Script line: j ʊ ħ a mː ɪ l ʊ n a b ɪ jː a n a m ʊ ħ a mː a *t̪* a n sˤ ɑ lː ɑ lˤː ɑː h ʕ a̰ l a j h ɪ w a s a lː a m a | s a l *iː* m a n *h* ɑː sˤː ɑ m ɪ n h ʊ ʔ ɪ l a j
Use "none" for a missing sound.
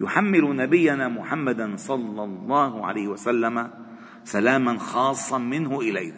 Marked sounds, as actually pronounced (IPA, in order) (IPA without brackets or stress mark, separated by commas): d̪, aː, x